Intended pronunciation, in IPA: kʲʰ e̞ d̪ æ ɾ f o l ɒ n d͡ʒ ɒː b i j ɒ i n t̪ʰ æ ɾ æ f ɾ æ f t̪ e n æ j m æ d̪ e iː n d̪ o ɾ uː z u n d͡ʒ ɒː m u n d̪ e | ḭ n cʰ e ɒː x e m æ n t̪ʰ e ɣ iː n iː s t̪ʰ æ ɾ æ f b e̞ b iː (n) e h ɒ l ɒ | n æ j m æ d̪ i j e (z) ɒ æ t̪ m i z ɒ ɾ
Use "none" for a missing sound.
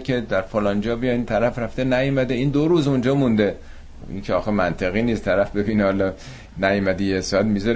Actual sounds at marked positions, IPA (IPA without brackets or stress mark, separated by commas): n, s